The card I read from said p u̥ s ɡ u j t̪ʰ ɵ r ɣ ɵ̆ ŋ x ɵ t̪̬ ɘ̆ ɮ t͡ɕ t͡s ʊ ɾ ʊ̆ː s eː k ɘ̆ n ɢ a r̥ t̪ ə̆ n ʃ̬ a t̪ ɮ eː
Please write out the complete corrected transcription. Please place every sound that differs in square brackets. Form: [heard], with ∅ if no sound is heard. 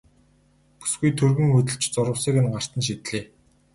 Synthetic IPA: p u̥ s ɡ u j t̪ʰ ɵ r ɣ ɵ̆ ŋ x ɵ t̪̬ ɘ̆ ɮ t͡ɕ t͡s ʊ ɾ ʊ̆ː s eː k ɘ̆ n ɢ a r̥ t̪ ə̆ n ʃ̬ [i] t̪ ɮ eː